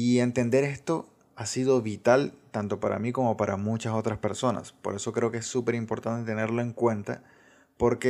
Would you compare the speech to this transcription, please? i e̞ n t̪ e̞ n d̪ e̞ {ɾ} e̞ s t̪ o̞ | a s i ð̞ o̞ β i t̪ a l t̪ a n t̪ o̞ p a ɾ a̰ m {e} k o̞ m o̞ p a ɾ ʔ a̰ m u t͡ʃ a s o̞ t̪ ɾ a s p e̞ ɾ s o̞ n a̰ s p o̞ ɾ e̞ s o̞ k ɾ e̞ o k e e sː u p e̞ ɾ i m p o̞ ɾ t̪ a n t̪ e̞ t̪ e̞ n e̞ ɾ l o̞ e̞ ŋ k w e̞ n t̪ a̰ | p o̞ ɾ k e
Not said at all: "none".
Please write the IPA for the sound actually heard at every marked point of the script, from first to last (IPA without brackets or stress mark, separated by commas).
ɾ, i